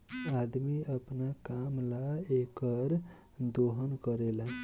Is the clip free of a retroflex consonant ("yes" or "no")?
yes